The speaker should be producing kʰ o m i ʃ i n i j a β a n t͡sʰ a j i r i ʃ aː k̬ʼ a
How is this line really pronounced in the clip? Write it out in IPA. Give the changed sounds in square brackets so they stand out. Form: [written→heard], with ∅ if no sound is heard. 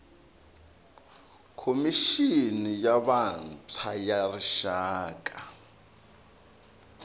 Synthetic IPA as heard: kʰ o m i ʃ i n i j a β a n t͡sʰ a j [i→a] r i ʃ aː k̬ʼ a